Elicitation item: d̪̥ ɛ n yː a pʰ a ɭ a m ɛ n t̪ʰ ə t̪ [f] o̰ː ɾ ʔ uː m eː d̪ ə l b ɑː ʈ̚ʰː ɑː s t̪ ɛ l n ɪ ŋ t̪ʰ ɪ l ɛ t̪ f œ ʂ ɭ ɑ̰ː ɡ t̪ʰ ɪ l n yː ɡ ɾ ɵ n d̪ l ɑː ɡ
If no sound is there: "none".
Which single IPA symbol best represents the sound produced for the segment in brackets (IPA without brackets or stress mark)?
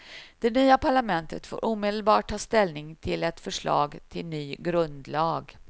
f